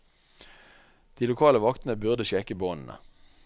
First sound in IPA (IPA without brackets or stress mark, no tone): d̪̥